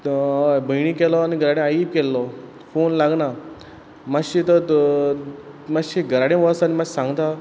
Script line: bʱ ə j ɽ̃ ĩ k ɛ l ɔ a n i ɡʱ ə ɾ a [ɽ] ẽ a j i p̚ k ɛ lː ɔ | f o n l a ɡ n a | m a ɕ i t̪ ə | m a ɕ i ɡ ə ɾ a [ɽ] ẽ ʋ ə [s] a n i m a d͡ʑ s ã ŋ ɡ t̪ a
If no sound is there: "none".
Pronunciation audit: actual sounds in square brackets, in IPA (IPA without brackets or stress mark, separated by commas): ɽ, ɽ, s